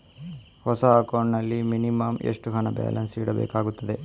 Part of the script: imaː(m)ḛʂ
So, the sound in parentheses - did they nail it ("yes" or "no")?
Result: yes